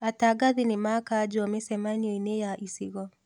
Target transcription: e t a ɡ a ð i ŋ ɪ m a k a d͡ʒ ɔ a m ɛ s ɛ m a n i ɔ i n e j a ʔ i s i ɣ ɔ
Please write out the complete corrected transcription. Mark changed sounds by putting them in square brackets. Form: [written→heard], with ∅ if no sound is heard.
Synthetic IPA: [e→a] t a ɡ a ð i [ŋ→n] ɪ m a k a d͡ʒ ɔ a m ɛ s ɛ m a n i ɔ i n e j a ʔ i s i ɣ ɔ